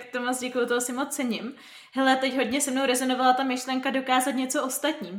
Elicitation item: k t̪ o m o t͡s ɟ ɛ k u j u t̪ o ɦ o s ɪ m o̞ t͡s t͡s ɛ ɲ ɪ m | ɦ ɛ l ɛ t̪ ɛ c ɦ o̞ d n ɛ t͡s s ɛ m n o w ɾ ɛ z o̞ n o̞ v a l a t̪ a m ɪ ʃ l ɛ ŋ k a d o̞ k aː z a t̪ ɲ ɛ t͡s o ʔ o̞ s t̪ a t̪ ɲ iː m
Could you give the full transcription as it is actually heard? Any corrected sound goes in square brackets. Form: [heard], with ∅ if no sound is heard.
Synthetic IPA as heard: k t̪ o m o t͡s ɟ ɛ k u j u t̪ o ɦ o s ɪ m o̞ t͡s t͡s ɛ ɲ ɪ m | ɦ ɛ l ɛ t̪ ɛ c ɦ o̞ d [ɲ] ɛ [∅] s ɛ m n o w ɾ ɛ z o̞ n o̞ v a l a t̪ a m ɪ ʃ l ɛ ŋ k a d o̞ k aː z a t̪ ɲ ɛ t͡s o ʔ o̞ s t̪ a t̪ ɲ iː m